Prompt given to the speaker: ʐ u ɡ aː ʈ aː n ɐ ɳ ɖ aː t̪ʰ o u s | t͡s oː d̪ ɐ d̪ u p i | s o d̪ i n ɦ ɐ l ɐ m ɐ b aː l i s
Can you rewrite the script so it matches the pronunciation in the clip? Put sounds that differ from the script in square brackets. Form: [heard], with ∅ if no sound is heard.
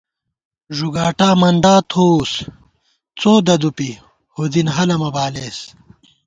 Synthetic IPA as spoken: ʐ u ɡ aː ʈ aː [m] ɐ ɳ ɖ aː t̪ʰ o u s | t͡s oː d̪ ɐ d̪ u p i | [h] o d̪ i n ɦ ɐ l ɐ m ɐ b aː l [e] s